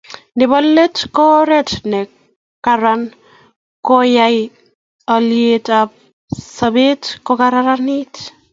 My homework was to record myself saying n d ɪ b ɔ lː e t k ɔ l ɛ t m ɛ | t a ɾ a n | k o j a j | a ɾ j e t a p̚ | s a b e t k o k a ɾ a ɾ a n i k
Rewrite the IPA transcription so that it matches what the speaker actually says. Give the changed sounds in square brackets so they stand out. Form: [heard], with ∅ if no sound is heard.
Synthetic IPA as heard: n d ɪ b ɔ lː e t k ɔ [ɾ] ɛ t [n] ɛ | [k] a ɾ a n | k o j a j | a [l] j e t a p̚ | s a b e t k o k a ɾ a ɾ a n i [t]

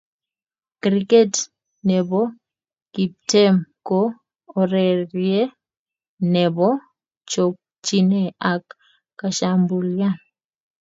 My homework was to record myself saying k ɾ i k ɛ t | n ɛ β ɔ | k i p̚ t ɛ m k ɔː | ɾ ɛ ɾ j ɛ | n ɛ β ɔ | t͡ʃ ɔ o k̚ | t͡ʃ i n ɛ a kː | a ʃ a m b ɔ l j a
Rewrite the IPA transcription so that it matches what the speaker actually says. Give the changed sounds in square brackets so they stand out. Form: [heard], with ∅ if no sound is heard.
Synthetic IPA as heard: k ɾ i k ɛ t | n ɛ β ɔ | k i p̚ t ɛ m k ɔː | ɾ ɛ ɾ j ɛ | n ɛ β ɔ | t͡ʃ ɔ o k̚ | t͡ʃ i n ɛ a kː | a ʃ a m b [u] l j a

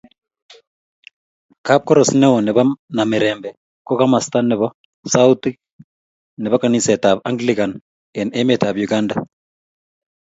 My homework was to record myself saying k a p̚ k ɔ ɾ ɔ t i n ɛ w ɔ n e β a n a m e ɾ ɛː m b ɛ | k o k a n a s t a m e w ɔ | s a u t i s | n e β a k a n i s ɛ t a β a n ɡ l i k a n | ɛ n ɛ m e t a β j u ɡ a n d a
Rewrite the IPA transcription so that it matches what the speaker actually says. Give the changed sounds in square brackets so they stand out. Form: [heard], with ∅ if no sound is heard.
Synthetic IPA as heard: k a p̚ k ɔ ɾ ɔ [s] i n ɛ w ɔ n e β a n a m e ɾ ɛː m b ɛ | k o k a [m] a s t a [n] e [β] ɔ | s a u t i [∅] | n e β a k a n i s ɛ t a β a [ŋ] ɡ l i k a n | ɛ n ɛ m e t a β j u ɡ a n d a

